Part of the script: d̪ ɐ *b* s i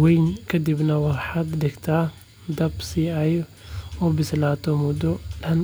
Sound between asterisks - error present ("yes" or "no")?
no